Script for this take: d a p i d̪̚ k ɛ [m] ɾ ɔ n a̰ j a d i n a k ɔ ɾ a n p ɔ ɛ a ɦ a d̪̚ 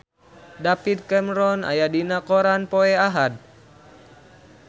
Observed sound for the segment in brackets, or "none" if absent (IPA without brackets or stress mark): m